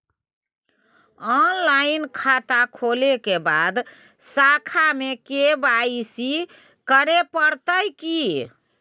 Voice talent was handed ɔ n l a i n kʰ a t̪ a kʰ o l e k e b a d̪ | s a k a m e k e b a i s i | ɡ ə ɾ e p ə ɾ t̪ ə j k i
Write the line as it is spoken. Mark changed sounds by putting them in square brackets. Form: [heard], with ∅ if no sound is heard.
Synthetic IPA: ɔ n l a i n kʰ a t̪ a kʰ o l e k e b a d̪ | s a [kʰ] a m e k e b a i s i | [k] ə ɾ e p ə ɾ t̪ ə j k i